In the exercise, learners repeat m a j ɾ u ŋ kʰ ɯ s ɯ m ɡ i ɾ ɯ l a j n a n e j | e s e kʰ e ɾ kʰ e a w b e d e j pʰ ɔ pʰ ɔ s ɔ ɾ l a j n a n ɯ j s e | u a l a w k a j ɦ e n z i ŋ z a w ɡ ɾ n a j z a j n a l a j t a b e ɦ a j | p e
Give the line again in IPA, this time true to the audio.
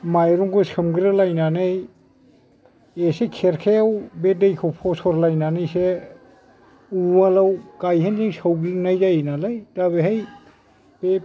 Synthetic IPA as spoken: m a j ɾ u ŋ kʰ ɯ s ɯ m ɡ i ɾ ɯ l a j n a n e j | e s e kʰ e ɾ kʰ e a w b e d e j kʰ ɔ pʰ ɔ s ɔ ɾ l a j n a n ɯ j s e | u a l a w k a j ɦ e n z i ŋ s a w ɡ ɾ n a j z a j n a l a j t a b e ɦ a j | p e